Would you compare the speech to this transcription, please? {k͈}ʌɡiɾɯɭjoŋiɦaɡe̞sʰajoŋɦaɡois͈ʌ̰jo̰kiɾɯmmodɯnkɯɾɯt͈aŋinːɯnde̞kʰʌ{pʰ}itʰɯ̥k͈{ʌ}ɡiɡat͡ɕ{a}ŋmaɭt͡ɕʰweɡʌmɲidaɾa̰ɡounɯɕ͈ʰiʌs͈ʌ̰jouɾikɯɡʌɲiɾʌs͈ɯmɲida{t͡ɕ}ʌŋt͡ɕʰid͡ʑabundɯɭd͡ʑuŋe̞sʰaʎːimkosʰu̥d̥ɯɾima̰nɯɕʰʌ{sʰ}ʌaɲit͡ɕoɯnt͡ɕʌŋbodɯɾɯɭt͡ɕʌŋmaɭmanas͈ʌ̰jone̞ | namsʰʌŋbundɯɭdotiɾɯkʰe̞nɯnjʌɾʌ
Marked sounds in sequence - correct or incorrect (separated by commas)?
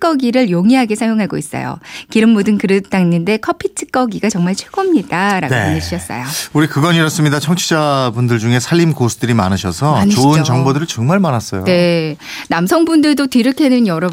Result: correct, correct, correct, incorrect, incorrect, correct